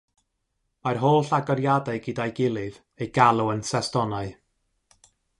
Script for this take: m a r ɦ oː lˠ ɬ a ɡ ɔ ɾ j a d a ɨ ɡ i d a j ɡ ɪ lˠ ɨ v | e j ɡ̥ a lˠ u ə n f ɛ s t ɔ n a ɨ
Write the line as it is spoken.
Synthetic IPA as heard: m a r ɦ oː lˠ ɬ a ɡ ɔ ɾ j a d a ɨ ɡ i d a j ɡ ɪ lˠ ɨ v | e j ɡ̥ a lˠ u ə n s ɛ s t ɔ n a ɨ